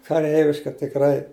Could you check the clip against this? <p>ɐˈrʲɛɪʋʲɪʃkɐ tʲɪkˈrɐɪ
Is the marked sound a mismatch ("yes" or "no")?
yes